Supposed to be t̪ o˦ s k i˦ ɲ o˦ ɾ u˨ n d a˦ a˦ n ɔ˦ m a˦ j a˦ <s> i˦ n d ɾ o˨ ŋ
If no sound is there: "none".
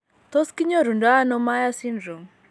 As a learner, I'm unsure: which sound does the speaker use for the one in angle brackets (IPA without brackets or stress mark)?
s